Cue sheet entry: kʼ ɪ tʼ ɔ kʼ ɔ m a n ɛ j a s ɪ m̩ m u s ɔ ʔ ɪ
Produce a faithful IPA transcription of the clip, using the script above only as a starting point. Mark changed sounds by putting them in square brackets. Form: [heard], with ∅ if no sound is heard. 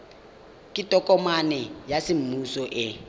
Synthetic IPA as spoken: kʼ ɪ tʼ ɔ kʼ ɔ m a n ɛ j a s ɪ m̩ m u s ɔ ʔ ɪ

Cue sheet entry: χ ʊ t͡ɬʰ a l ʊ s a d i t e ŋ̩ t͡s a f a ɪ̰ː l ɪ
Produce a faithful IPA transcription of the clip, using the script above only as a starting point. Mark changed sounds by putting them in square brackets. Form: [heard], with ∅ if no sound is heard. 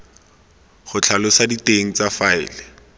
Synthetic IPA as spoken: χ ʊ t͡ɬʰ a l ʊ s a d i t e ŋ̩ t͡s a f a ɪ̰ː l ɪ

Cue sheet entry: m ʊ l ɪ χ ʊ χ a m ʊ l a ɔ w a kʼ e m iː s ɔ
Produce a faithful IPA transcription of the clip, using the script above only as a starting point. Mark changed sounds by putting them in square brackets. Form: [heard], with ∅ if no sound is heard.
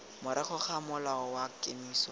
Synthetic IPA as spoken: m ʊ [ɾ] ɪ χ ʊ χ a m ʊ l a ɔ w a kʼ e m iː s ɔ

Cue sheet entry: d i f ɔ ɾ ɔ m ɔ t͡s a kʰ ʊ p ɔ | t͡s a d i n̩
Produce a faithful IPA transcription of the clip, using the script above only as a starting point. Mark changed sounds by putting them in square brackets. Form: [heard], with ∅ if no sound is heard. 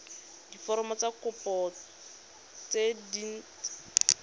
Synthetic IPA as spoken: d i f ɔ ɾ ɔ m ɔ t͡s a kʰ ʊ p ɔ | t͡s [e] d i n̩

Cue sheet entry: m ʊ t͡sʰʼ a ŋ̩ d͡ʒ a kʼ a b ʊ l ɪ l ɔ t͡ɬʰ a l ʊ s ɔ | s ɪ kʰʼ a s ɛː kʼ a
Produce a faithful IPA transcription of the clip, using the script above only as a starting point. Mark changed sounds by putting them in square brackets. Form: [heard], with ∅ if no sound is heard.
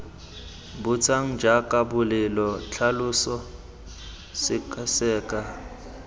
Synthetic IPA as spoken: [b] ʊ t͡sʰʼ a ŋ̩ d͡ʒ a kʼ a b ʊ l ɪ l ɔ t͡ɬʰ a l ʊ s ɔ | s ɪ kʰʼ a s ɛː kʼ a

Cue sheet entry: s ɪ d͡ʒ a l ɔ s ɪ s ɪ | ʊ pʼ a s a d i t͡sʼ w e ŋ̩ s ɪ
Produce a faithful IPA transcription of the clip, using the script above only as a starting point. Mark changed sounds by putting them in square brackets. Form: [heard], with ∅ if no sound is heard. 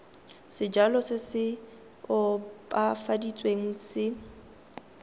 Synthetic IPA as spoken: s ɪ d͡ʒ a l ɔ s ɪ s ɪ | ʊ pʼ a [f] a d i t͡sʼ w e ŋ̩ s ɪ

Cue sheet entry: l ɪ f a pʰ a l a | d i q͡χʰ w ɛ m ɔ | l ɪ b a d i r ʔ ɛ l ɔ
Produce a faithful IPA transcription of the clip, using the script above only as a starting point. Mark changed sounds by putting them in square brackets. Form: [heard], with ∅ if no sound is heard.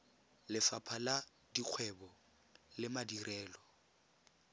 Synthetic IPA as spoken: l ɪ f a pʰ a l a | d i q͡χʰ w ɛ [b] ɔ | l ɪ [m] a d i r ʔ [ɛː] l ɔ

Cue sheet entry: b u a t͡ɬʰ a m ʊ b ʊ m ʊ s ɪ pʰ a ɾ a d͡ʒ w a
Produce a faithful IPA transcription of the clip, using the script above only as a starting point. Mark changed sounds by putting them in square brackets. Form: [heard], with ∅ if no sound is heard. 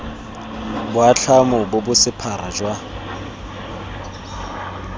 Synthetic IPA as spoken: b [ʊ] a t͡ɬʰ a m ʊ b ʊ [b] ʊ s ɪ pʰ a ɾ a d͡ʒ w a

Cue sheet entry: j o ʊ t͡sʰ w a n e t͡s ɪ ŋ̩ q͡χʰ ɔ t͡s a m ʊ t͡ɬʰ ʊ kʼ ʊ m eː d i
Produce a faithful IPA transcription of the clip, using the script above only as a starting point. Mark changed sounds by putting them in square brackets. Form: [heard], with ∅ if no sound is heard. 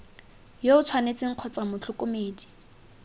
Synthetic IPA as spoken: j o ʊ t͡sʰ w a n e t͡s ɪ ŋ̩ q͡χʰ ɔ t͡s a m ʊ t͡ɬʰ ʊ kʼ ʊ m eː d i

